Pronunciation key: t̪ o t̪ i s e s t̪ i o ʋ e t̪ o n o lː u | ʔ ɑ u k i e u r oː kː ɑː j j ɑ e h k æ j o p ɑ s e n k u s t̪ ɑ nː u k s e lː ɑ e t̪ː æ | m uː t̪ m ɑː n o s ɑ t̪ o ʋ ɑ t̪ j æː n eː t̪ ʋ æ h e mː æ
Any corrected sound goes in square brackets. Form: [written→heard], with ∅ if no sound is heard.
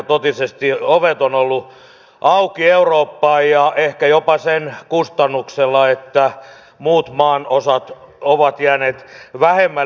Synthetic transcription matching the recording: t̪ o t̪ i s e s t̪ i o ʋ e t̪ o n o lː u | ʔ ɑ u k i e u r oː [kː→pː] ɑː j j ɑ e h k æ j o p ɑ s e n k u s t̪ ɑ nː u k s e lː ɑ e t̪ː æ | m uː t̪ m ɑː n o s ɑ t̪ o ʋ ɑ t̪ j æː n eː t̪ ʋ æ h e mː æ